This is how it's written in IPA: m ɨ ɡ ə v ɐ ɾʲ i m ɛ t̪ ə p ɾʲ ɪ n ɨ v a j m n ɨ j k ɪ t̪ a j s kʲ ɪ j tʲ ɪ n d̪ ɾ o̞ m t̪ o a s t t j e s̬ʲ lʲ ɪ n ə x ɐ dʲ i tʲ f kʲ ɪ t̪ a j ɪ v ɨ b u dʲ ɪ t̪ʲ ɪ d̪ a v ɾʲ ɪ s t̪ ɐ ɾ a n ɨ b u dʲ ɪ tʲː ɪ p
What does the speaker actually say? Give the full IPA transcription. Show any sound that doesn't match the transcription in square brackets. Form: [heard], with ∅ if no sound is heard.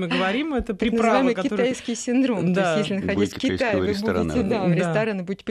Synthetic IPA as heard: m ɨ ɡ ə v ɐ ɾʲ i m ɛ t̪ ə p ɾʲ ɪ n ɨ v a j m [m] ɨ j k ɪ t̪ a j s kʲ ɪ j [sʲ] ɪ n d̪ ɾ o̞ m t̪ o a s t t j e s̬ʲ lʲ ɪ n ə x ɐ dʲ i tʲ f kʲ ɪ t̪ a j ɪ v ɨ b u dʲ ɪ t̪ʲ ɪ d̪ a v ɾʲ ɪ s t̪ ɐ ɾ a n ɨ b u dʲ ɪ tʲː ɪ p